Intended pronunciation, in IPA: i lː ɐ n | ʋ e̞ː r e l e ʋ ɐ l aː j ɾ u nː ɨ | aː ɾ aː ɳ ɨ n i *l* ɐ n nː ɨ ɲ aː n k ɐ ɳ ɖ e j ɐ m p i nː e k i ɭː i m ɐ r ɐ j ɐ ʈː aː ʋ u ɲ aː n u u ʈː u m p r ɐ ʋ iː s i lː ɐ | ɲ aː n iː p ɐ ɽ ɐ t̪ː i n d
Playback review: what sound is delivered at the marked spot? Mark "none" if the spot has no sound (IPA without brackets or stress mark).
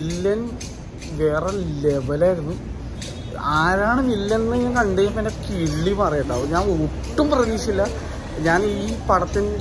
lː